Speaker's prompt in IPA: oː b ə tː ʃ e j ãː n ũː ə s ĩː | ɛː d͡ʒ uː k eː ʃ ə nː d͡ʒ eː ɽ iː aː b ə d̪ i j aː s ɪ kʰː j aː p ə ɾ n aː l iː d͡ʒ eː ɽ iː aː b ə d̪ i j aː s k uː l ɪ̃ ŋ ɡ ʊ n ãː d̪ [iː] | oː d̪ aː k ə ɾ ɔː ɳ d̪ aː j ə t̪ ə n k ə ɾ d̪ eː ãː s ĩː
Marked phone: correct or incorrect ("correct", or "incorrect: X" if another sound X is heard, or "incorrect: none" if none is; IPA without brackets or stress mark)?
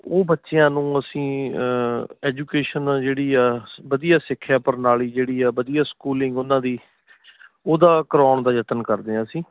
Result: correct